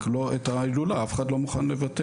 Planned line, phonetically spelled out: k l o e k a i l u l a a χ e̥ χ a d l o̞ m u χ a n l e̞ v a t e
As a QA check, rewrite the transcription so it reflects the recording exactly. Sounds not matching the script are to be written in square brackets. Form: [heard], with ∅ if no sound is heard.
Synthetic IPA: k l o e [t] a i l u l a a [f] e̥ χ a d l o̞ m u χ a n l e̞ v a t e